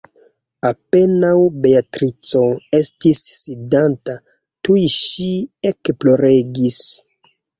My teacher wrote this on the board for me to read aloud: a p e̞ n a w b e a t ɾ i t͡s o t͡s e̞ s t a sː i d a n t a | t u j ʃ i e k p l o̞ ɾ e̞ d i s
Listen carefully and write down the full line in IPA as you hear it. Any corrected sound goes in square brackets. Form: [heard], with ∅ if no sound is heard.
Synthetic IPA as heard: a p e̞ n a w b e a t ɾ i t͡s o [∅] e̞ s t [i] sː i d a n t a | t u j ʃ i e k p l o̞ ɾ e̞ [ɡ] i s

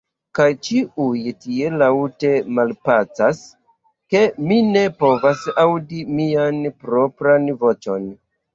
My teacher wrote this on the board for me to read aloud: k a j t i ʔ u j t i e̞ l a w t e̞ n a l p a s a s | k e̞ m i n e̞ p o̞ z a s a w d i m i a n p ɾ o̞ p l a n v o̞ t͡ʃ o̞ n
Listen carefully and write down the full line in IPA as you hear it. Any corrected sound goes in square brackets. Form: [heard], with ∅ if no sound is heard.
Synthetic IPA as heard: k a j [t͡ʃ] i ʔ u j t i e̞ l a w t e̞ [m] a l p a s a s | k e̞ m i n e̞ p o̞ [v] a s a w d i m i a n p ɾ o̞ p [ɾ] a n v o̞ t͡ʃ o̞ n

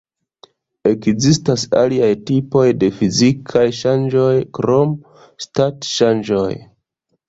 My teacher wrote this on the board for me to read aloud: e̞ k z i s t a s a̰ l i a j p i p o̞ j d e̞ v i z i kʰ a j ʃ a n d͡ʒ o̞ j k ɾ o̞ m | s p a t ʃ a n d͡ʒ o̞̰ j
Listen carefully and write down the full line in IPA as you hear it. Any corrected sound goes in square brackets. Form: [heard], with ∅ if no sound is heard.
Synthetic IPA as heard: e̞ k z i s t a s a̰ l i a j [t] i p o̞ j d e̞ [f] i z i kʰ a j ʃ a n d͡ʒ o̞ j k ɾ o̞ m | s [t] a t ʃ a n d͡ʒ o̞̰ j

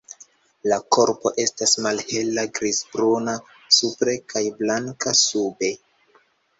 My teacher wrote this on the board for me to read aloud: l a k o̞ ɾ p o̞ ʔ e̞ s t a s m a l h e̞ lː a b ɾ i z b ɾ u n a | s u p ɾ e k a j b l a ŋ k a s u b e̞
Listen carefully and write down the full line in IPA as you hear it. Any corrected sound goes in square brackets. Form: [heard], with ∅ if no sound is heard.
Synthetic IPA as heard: l a k o̞ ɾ p o̞ ʔ e̞ s t a s m a l h e̞ [l] a [ɡ] ɾ i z b ɾ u n a | s u p ɾ e k a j b l a ŋ k a s u b e̞

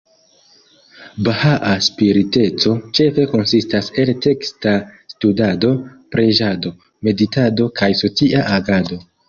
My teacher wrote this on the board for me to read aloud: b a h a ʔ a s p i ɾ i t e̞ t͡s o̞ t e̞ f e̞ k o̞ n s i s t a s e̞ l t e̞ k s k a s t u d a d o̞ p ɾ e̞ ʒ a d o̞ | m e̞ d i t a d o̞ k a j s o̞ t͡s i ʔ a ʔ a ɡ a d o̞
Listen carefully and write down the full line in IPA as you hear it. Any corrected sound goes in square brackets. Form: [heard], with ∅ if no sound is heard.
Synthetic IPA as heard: b a h a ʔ a s p i ɾ i t e̞ t͡s o̞ [t͡ʃ] e̞ f e̞ k o̞ n s i s t a s e̞ l t e̞ k s [t] a s t u d a d o̞ p ɾ e̞ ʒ a d o̞ | m e̞ d i t a d o̞ k a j s o̞ t͡s i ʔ a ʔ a ɡ a d o̞

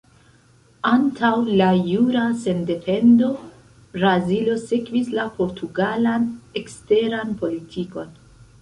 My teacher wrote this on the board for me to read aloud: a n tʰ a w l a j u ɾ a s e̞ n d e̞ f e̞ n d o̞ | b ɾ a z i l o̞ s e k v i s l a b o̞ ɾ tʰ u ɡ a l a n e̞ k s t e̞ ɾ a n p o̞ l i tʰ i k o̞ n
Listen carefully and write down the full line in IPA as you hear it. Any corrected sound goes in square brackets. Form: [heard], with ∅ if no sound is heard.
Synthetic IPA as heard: a n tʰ a w l a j u ɾ a s e̞ n d e̞ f e̞ n d o̞ | b ɾ a z i l o̞ s e k v i s l a [p] o̞ ɾ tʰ u ɡ a l a n e̞ k s t e̞ ɾ a n p o̞ l i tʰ i k o̞ n

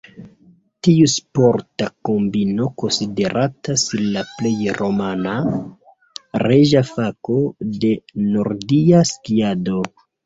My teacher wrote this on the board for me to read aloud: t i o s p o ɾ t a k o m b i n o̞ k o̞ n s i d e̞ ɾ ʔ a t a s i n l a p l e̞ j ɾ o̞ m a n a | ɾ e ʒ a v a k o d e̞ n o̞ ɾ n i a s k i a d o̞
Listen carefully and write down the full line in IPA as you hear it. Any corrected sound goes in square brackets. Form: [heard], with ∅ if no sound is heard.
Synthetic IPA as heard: t i [u] s p o ɾ t a k o m b i n o̞ k o̞ n s i d e̞ ɾ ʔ a t a s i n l a p l e̞ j ɾ o̞ m a n a | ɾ e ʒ a [f] a k o d e̞ n o̞ ɾ [d] i a s k i a d o̞

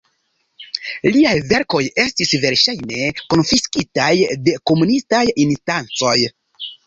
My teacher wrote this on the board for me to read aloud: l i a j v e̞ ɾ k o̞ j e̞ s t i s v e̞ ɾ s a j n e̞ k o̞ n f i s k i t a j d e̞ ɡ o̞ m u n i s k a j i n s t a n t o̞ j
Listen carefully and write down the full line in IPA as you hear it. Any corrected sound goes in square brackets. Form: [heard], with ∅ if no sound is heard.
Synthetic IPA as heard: l i a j v e̞ ɾ k o̞ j e̞ s t i s v e̞ ɾ [ʃ] a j n e̞ k o̞ n f i s k i t a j d e̞ [k] o̞ m u n i s [t] a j i n s t a n [t͡s] o̞ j

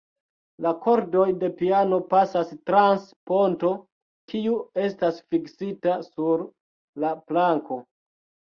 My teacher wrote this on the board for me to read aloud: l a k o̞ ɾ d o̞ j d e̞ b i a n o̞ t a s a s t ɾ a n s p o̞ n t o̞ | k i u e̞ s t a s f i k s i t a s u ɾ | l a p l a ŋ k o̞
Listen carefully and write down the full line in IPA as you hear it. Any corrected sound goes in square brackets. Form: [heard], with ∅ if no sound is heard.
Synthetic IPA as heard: l a k o̞ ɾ d o̞ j d e̞ [p] i a n o̞ [p] a s a s t ɾ a n s p o̞ n t o̞ | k i u e̞ s t a s f i k s i t a s u ɾ | l a p l a ŋ k o̞

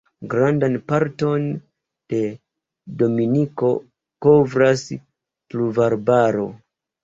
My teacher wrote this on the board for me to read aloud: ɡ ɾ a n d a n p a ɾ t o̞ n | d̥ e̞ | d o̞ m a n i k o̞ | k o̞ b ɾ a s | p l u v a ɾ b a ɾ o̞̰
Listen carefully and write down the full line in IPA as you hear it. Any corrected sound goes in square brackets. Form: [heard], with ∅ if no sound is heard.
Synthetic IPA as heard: ɡ ɾ a n d a n p a ɾ t o̞ n | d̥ e̞ | d o̞ m [i] n i k o̞ | k o̞ [v] ɾ a s | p l u v a ɾ b a ɾ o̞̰

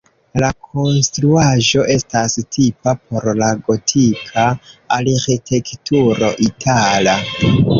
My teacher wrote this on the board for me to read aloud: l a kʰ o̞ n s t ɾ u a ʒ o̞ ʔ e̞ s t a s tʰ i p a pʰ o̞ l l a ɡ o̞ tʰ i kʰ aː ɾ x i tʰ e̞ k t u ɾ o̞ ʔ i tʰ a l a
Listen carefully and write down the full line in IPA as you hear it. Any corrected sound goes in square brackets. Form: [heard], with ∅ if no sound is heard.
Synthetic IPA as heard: l a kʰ o̞ n s t ɾ u a ʒ o̞ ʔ e̞ s t a s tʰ i p a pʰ o̞ [ɾ] l a ɡ o̞ tʰ i kʰ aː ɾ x i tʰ e̞ k t u ɾ o̞ ʔ i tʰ a l a

